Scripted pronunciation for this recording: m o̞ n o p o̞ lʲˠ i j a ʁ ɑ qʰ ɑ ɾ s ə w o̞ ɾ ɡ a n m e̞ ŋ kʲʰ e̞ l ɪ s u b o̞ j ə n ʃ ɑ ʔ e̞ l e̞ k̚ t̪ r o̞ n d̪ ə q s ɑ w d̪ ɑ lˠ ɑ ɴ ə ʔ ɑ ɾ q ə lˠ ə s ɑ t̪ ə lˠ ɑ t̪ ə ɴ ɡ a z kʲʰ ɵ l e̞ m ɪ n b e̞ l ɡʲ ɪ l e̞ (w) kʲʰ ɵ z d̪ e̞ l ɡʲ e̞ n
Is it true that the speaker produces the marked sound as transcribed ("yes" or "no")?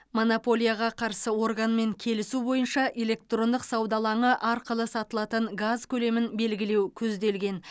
yes